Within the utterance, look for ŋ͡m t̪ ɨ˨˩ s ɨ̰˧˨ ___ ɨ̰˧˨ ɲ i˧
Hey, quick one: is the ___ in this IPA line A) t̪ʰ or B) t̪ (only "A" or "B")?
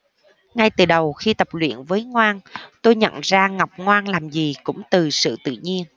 B